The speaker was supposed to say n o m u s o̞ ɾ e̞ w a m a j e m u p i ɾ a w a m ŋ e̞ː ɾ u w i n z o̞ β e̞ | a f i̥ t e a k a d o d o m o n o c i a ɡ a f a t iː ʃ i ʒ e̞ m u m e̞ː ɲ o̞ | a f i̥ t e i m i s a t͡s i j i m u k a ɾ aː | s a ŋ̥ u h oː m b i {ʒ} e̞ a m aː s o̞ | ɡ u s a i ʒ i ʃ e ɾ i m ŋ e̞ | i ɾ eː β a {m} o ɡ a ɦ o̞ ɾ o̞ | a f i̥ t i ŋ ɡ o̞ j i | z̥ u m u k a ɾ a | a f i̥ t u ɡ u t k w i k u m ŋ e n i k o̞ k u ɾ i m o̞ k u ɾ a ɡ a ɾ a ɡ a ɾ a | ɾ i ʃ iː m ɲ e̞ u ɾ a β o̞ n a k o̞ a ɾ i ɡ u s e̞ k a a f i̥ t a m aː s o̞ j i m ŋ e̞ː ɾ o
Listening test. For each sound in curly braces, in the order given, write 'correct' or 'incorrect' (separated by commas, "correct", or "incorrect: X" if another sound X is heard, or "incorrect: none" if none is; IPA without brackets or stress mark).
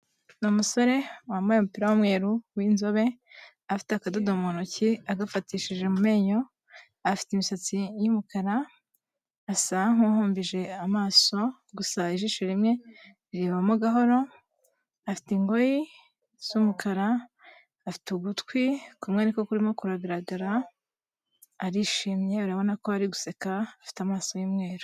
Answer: correct, correct